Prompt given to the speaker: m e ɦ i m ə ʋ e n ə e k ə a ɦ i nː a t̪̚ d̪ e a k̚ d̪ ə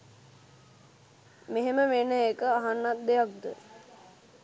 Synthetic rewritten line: m e ɦ e m ə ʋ e n ə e k ə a ɦ a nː a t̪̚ d̪ e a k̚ d̪ ə